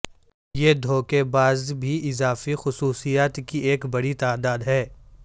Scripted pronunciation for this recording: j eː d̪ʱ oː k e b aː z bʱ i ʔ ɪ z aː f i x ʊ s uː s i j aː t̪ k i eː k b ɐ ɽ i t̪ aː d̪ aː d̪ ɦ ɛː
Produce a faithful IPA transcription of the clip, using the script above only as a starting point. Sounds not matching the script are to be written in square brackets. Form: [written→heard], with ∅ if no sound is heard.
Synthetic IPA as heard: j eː d̪ʱ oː k e b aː z bʱ i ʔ ɪ z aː f i x ʊ s uː s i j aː t̪ k i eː k b ɐ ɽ i t̪ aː d̪ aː d̪ ɦ ɛː